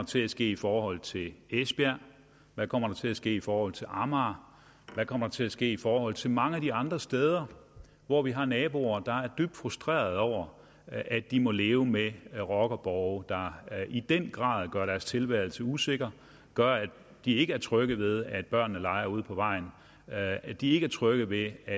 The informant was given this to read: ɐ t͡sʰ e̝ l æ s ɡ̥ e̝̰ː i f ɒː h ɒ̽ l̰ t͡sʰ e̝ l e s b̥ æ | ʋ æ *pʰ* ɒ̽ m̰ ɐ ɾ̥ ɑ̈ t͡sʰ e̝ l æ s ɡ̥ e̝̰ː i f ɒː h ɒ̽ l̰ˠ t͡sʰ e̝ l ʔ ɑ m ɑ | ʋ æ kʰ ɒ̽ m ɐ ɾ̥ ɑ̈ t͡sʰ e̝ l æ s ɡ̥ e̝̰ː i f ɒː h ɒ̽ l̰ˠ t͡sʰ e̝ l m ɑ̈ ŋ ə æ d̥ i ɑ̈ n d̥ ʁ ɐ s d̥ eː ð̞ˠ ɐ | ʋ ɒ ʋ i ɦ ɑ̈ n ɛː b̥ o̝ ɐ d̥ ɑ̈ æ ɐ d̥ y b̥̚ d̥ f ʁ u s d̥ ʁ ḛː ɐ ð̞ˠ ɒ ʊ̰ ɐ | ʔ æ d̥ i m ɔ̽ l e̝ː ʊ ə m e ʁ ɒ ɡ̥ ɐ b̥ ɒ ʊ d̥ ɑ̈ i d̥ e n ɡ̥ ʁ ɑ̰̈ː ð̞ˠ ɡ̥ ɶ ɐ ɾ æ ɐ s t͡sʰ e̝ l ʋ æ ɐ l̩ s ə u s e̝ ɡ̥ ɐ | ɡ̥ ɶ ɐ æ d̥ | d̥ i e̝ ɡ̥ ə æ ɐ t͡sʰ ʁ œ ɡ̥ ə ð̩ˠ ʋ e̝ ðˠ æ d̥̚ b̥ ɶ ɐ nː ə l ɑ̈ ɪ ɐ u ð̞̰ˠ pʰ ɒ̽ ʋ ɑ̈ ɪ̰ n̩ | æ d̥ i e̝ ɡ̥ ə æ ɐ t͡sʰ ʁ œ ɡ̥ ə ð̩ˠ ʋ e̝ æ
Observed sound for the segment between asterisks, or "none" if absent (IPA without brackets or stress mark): kʰ